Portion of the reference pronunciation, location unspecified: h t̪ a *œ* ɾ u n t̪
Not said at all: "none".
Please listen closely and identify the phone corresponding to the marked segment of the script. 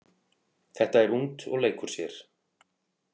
ɛ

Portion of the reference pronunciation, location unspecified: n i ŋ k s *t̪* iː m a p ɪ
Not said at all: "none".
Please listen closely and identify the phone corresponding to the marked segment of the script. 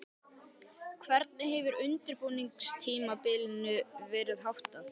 t̪ʰ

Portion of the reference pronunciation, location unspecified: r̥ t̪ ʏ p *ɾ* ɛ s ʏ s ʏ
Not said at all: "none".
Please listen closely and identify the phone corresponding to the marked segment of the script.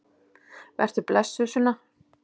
l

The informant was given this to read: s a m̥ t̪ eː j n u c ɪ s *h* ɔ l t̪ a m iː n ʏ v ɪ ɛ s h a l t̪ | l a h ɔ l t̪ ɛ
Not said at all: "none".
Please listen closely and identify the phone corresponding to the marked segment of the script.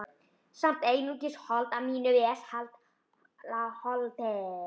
h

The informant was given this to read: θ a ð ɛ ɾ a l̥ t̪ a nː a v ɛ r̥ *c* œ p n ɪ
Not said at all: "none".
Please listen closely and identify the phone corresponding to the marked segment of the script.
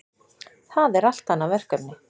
k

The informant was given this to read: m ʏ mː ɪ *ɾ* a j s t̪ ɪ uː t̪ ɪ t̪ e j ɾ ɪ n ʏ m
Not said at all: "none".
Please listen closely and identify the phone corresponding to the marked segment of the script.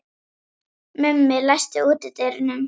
l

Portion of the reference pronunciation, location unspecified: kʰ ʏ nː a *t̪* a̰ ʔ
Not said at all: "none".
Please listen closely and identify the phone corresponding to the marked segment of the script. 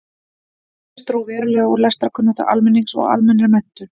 t̪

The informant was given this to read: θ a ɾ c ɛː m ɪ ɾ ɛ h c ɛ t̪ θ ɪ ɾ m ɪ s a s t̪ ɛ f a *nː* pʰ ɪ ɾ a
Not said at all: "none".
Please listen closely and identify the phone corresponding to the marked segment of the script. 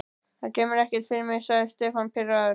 n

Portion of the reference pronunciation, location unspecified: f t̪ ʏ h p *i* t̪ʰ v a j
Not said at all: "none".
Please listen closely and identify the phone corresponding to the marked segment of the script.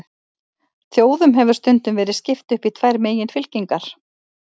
i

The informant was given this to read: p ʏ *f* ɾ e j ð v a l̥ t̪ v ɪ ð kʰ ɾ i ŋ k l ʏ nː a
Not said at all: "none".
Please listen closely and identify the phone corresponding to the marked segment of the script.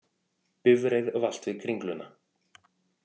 v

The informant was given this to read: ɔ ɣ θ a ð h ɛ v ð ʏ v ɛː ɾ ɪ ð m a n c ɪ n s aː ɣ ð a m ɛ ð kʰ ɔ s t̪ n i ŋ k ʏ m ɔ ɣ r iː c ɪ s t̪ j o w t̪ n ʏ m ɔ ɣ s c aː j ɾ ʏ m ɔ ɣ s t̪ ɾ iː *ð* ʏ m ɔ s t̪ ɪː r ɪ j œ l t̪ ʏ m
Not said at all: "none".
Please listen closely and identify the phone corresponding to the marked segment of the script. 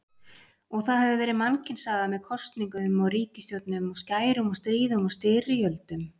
ð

